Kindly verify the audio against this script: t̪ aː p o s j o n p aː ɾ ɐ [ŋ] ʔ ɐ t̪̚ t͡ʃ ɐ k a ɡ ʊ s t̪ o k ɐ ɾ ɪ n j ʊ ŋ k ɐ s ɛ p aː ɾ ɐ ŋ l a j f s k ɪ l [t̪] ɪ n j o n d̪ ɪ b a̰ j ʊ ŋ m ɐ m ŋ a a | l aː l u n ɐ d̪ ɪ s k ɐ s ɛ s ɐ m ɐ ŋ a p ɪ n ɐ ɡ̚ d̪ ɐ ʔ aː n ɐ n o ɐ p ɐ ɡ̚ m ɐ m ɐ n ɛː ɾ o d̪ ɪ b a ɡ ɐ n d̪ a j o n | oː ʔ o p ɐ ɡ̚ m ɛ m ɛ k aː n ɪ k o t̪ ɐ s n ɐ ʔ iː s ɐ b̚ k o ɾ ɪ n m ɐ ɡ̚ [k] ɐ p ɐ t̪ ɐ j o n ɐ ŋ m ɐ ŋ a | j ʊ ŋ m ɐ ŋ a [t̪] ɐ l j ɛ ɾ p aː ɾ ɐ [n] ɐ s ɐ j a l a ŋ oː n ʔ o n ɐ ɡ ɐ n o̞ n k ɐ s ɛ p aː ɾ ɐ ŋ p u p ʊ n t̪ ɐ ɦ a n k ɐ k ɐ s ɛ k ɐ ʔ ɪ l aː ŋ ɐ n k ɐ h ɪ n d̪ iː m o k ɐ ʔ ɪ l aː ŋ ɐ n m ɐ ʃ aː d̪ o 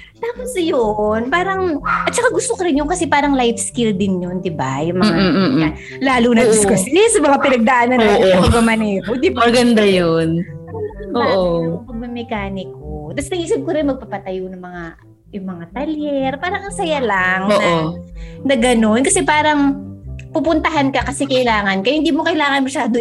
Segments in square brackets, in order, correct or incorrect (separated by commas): correct, incorrect, incorrect, correct, incorrect